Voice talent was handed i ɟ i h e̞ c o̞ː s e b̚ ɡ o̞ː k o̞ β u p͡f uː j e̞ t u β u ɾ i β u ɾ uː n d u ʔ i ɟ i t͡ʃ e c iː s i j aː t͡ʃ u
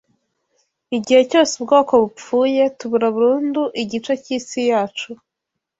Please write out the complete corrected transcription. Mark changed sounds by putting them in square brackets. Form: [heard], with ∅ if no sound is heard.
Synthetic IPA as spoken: i ɟ i h e̞ c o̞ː s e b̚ ɡ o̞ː k o̞ β u p͡f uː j e̞ t u β u ɾ [a] β u ɾ uː n d u ʔ i ɟ i t͡ʃ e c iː s i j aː t͡ʃ u

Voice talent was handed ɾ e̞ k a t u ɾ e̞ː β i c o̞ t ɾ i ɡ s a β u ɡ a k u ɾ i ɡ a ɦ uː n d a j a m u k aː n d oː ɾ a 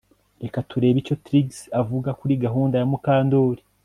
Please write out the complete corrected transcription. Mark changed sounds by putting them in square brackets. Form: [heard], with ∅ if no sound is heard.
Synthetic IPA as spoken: ɾ e̞ k a t u ɾ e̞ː β i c o̞ t ɾ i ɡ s a [v] u ɡ a k u ɾ i ɡ a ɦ uː n d a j a m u k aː n d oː ɾ [i]

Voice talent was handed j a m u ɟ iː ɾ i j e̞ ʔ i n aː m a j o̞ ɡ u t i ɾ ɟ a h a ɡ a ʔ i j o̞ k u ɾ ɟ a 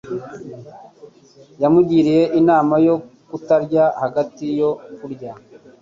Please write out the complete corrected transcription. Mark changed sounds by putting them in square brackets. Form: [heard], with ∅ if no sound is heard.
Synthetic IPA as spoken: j a m u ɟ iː ɾ i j e̞ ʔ i n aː m a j o̞ [k] u t [a] ɾ ɟ a h a ɡ a [t] i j o̞ k u ɾ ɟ a

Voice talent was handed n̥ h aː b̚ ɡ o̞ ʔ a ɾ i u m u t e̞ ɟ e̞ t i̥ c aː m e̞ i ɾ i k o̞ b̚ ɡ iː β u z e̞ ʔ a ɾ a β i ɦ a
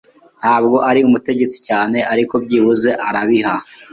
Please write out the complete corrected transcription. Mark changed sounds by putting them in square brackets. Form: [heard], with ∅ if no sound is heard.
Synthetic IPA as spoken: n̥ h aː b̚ ɡ o̞ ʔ a ɾ i u m u t e̞ ɟ e̞ [t͡s] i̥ c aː [n] e̞ [a] ɾ i k o̞ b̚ [ɟ] iː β u z e̞ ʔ a ɾ a β i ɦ a

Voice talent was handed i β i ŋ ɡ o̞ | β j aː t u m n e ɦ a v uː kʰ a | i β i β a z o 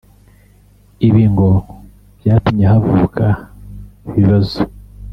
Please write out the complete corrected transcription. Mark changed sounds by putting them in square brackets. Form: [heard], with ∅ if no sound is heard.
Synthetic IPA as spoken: i β [iː] ŋ ɡ o̞ | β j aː t u m [ɲ] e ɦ a v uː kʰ a | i β i β a z o

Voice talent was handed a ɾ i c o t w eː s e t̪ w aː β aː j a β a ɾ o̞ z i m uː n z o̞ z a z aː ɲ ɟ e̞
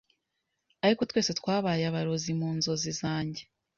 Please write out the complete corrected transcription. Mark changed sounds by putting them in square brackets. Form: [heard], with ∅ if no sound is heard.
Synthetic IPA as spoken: a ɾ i [k] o t w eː s e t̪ w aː β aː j a β a ɾ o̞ z i m uː n z o̞ z [i] z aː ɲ ɟ e̞

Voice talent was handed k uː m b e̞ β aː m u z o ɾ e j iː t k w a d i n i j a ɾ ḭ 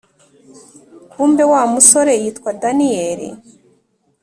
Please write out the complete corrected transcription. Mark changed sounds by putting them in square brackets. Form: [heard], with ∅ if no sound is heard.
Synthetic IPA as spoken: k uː m b e̞ [w] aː m u [s] o ɾ e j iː t k w a d [a] n i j [e] ɾ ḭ

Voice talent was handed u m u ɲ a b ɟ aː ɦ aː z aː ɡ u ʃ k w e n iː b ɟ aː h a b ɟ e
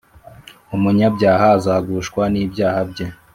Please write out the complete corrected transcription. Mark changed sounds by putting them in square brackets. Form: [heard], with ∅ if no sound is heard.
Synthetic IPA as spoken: u m u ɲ a b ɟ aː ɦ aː z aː ɡ u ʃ k w [a] n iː b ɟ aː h a b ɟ e

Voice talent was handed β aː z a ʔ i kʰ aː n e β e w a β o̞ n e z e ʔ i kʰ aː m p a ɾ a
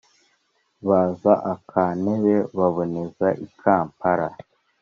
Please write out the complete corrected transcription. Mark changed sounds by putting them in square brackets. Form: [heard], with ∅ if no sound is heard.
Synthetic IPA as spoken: β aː z a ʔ [a] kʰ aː n e β e [β] a β o̞ n e z [a] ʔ i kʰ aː m p a ɾ a

